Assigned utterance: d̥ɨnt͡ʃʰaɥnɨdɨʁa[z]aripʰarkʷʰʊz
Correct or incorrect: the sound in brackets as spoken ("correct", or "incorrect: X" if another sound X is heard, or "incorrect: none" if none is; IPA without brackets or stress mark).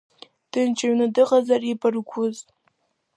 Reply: correct